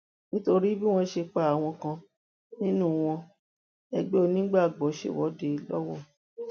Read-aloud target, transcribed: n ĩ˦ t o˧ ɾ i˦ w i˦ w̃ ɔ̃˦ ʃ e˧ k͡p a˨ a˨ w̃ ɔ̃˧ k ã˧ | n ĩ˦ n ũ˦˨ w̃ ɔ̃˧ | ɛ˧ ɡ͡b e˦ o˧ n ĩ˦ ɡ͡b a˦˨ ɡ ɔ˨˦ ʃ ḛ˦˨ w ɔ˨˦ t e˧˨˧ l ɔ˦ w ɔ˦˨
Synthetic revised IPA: n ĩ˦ t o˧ ɾ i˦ b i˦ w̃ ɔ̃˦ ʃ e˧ k͡p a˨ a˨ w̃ ɔ̃˧ k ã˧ | n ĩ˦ n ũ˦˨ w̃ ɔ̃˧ | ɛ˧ ɡ͡b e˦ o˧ n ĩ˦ ɡ͡b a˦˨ ɡ͡b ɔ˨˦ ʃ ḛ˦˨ w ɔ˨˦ d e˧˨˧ l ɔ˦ w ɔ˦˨